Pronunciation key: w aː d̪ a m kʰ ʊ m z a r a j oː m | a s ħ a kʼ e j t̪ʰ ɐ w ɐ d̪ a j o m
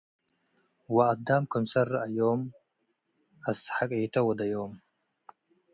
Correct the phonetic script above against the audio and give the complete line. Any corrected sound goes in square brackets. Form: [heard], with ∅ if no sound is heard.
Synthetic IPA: w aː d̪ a m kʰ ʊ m [s] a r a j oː m | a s ħ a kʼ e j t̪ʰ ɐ w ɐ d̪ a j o m